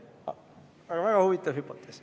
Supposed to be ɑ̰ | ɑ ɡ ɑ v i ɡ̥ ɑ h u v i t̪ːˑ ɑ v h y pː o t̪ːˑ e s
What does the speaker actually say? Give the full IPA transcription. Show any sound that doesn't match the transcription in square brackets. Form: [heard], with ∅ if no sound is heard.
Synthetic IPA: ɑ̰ | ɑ ɡ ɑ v [æ] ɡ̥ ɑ h u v i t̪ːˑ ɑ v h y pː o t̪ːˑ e s